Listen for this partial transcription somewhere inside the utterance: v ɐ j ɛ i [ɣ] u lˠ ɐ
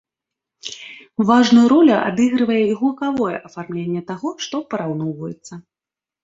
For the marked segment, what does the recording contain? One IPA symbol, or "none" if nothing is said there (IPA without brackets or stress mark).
ɣ